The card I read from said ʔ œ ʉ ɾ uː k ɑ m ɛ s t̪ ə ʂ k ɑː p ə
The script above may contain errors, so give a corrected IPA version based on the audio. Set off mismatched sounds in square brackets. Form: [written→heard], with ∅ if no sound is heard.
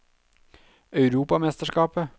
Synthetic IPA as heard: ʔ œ ʉ ɾ uː [k→p] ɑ m ɛ s t̪ ə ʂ k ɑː p ə